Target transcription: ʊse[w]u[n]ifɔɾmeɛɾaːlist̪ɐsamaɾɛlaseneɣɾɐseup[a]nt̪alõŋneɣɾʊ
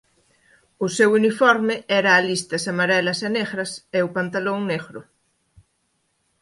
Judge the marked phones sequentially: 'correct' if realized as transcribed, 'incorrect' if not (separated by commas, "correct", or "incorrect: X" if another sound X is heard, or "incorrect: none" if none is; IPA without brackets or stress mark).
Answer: correct, correct, correct